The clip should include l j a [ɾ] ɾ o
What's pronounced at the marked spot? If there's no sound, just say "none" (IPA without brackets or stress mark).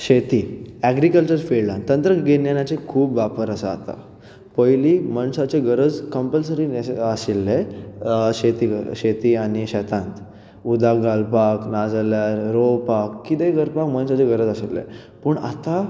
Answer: ɾ